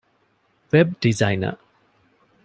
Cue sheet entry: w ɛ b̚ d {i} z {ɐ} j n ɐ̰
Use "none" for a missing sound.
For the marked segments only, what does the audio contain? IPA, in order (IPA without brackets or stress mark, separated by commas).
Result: i, a